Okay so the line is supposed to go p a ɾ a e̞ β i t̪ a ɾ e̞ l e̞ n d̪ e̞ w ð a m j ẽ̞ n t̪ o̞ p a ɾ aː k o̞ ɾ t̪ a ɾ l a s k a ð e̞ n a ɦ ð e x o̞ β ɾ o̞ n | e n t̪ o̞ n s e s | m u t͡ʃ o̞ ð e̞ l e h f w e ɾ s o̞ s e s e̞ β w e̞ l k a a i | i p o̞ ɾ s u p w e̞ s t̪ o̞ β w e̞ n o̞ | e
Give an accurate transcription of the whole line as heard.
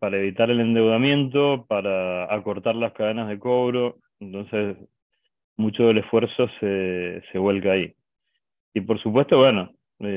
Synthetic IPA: p a ɾ a e̞ β i t̪ a ɾ e̞ l e̞ n d̪ e̞ w ð a m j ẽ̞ n t̪ o̞ p a ɾ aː k o̞ ɾ t̪ a ɾ l a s k a ð e̞ n a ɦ ð e k o̞ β ɾ o̞ | e n t̪ o̞ n s e s | m u t͡ʃ o̞ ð e̞ l e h f w e ɾ s o̞ s e s e̞ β w e̞ l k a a i | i p o̞ ɾ s u p w e̞ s t̪ o̞ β w e̞ n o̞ | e